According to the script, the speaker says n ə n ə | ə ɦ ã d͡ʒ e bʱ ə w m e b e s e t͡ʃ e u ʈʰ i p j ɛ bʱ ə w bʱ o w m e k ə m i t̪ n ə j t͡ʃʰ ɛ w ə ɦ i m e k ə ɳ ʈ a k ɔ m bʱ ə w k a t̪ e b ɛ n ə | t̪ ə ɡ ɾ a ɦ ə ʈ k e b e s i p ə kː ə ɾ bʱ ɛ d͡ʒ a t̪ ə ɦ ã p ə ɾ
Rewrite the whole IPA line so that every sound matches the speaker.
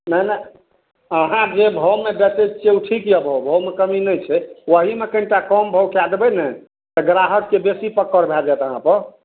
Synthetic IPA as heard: n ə n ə | ə ɦ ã d͡ʒ e bʱ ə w m e b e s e t͡ʃ e u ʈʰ i k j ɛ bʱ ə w bʱ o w m e k ə m i n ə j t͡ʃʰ ɛ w ə ɦ i m e k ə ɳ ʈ a k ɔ m bʱ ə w k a d̪ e b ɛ n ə | t̪ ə ɡ ɾ a ɦ ə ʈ k e b e s i p ə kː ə ɾ bʱ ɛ d͡ʒ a t̪ ə ɦ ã p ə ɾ